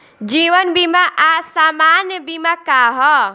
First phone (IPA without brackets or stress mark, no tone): d͡ʒ